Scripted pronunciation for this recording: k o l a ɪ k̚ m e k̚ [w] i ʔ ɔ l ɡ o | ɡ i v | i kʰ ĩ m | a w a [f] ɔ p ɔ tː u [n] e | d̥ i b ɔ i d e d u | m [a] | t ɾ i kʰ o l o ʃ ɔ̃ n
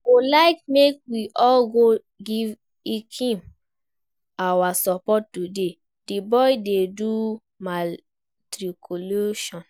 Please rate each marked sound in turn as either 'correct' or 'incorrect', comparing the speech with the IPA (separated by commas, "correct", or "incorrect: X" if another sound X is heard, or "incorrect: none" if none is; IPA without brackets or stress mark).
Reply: correct, incorrect: s, incorrect: d, correct